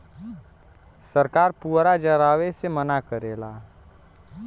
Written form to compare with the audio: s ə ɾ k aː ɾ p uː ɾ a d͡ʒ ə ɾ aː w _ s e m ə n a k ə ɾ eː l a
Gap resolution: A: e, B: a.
A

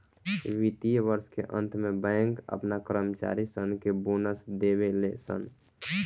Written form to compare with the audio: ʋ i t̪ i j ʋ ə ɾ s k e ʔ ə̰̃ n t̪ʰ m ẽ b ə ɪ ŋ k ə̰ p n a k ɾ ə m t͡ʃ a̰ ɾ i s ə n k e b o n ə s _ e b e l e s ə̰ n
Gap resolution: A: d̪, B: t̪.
A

